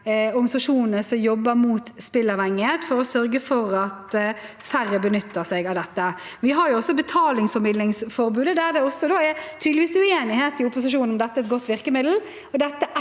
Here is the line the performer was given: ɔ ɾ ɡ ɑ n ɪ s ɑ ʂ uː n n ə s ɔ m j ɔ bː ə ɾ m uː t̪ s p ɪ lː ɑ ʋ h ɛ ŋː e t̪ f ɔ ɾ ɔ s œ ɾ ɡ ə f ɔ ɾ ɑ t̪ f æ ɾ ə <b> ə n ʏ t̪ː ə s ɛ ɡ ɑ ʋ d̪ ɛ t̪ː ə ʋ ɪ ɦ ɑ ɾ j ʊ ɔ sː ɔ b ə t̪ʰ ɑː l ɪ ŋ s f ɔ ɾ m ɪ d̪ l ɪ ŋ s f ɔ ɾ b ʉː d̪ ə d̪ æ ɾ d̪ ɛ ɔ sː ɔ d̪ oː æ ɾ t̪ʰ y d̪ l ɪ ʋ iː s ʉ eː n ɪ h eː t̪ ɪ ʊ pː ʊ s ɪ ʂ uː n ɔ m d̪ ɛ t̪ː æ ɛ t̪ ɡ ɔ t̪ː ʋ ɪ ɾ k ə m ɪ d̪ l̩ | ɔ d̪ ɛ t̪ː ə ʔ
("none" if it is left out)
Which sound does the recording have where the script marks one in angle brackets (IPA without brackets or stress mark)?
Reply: b